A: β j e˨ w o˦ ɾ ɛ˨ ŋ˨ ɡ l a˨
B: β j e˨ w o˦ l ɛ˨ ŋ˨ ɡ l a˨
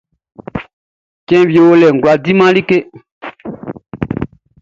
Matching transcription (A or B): B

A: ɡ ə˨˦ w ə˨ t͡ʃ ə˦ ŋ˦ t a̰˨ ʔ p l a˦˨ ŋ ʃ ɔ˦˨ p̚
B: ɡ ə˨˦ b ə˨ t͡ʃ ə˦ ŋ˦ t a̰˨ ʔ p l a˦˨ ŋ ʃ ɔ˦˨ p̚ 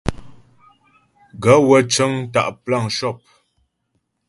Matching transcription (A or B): A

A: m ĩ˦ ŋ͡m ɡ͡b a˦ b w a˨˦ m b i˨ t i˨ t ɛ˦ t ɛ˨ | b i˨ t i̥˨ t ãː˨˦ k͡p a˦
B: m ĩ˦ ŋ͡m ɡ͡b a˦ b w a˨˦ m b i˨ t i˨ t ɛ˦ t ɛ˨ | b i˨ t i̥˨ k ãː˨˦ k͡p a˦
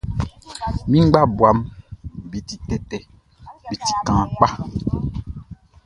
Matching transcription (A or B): B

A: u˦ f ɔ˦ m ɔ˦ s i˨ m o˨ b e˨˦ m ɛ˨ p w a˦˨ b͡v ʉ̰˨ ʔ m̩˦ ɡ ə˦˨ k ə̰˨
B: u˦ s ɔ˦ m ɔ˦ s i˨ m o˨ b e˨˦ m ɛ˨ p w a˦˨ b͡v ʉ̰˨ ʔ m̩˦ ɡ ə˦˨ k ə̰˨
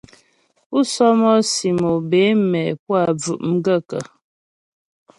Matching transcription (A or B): B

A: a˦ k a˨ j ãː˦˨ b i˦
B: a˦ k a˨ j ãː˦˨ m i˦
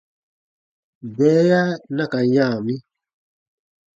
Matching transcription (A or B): B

